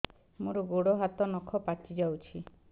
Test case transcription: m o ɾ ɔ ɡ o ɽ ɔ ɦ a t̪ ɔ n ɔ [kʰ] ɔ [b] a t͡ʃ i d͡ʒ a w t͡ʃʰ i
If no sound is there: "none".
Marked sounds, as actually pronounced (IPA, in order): kʰ, p

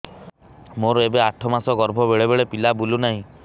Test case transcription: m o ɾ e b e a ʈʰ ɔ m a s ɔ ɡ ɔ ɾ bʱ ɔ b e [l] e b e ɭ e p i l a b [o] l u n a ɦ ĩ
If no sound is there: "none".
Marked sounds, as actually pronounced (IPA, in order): ɭ, u

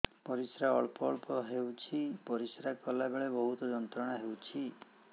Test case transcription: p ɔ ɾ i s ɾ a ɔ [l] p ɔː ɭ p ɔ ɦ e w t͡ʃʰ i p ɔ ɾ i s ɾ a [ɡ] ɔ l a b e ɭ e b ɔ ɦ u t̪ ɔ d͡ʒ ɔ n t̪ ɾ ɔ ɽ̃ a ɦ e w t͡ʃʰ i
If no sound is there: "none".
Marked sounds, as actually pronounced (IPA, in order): ɭ, k

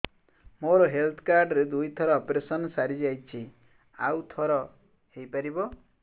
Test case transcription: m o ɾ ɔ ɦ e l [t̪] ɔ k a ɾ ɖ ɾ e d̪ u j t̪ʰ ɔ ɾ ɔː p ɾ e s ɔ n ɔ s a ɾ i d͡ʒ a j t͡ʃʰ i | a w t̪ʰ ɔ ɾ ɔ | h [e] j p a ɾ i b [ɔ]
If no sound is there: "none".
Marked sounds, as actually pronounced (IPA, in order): t̪ʰ, e, ɔ

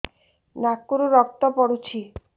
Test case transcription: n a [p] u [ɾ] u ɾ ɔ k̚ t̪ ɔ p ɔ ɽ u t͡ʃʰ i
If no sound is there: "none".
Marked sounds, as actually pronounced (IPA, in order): k, ɾ

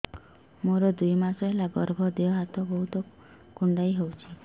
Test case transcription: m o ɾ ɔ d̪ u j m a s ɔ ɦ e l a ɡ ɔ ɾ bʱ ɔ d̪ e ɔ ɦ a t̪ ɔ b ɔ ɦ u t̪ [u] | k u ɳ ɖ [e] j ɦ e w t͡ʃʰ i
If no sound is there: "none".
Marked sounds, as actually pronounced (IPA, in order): ɔ, a

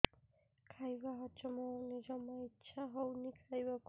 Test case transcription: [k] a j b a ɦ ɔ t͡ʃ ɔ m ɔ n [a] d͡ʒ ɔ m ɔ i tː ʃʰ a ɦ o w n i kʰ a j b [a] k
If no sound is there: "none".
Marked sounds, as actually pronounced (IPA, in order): kʰ, i, a

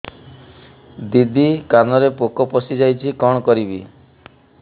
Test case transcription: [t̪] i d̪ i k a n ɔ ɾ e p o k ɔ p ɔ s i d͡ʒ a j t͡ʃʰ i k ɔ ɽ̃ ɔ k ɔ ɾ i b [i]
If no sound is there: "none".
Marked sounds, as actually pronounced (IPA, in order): d̪, i

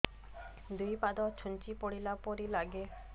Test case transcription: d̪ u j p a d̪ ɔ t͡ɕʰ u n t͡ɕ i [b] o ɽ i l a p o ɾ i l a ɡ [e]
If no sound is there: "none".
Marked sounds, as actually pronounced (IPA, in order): p, e

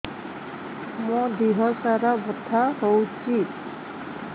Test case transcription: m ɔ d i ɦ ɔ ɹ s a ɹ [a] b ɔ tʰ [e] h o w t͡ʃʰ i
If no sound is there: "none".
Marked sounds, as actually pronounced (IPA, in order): a, a

